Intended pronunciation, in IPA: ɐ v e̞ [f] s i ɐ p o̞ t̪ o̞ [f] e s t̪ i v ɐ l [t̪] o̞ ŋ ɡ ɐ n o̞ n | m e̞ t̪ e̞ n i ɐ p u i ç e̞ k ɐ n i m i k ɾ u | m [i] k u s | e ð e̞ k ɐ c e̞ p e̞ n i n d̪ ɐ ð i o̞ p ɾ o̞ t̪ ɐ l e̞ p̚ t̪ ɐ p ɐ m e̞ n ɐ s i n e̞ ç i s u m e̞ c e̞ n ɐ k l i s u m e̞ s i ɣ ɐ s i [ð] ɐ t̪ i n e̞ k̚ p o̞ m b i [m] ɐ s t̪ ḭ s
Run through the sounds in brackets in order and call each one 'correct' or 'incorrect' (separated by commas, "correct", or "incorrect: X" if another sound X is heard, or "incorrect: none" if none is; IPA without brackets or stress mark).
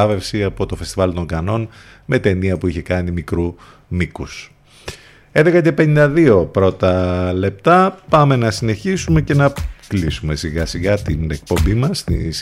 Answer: correct, correct, correct, correct, incorrect: ɣ, correct